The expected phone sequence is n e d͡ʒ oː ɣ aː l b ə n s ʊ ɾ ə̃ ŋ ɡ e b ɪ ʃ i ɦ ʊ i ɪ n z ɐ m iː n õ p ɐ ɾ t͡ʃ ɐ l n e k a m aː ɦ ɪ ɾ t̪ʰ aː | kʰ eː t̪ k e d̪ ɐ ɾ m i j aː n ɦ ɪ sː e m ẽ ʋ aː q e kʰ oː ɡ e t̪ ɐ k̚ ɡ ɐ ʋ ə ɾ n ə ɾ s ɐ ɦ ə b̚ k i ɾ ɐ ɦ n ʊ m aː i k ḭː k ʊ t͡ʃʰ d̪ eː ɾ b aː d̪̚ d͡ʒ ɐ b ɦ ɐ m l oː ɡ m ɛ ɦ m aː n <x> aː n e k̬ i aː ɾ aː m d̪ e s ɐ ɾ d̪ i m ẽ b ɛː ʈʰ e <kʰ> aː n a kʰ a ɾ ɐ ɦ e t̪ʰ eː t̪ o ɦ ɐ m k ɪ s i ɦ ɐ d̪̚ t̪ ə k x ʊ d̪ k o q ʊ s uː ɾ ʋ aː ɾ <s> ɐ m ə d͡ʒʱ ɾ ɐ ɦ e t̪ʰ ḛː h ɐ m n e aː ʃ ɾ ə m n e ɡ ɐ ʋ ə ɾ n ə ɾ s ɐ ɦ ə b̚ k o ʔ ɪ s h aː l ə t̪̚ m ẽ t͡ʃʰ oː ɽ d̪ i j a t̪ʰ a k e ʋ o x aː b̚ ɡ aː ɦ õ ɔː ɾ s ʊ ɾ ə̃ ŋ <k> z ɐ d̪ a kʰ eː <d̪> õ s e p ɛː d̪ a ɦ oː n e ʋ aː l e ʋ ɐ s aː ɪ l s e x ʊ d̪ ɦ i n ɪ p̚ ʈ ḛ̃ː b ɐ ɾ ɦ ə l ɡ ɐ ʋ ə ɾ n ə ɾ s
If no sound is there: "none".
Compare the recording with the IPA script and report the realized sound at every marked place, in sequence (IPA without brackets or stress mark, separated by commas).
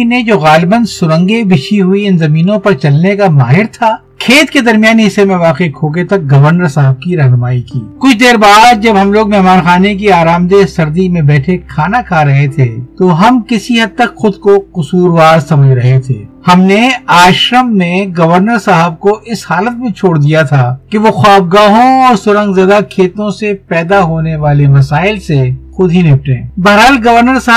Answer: x, kʰ, s, ɡ, t̪